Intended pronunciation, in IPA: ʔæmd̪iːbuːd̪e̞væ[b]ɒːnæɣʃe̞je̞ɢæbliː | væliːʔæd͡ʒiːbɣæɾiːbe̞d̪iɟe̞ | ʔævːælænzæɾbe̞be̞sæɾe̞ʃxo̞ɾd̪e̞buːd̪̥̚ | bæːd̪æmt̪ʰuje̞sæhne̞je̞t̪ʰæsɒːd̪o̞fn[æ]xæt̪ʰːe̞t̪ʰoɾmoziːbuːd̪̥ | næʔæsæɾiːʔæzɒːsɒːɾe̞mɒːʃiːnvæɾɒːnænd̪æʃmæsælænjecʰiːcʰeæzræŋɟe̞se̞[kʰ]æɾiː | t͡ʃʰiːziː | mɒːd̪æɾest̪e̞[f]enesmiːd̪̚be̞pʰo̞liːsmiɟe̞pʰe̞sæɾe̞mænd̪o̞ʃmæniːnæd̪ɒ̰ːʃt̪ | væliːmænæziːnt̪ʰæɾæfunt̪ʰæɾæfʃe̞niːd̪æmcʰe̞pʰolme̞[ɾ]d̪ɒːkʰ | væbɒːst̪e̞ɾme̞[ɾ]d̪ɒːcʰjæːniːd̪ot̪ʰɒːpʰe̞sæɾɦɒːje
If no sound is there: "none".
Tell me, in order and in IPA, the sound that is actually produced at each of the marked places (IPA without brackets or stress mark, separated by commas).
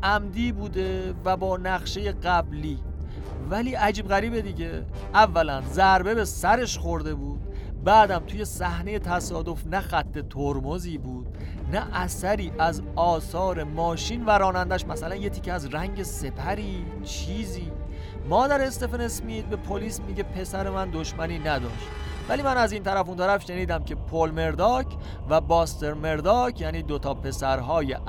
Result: b, æ, pʰ, f, ɾ, ɾ